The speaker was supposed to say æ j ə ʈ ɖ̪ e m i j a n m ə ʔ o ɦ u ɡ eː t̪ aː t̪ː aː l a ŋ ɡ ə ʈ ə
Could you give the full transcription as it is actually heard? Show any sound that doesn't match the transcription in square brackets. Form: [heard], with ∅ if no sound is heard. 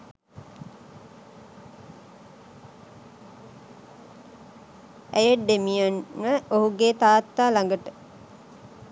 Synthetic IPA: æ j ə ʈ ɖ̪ e m i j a n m ə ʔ o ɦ u ɡ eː t̪ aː t̪ː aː l a ŋ ɡ ə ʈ ə